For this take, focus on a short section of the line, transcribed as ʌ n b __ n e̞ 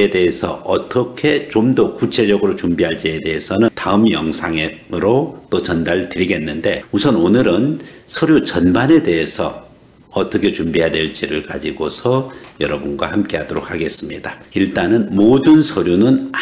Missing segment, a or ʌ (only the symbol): a